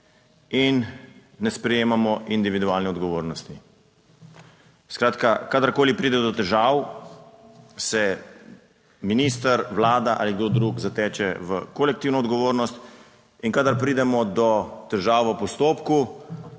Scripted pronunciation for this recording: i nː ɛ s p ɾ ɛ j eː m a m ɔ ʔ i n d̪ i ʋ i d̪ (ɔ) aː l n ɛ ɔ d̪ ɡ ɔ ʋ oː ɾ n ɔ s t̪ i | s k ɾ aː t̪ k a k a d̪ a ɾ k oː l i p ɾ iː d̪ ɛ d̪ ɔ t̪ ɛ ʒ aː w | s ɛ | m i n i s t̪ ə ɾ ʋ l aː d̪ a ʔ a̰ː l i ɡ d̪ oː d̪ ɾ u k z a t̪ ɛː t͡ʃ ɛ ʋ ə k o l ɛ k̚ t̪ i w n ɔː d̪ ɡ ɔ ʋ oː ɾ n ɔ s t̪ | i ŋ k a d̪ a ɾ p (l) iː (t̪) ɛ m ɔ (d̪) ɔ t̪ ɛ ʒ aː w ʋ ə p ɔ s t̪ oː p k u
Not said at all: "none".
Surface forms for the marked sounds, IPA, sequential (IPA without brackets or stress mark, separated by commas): u, ɾ, d̪, d̪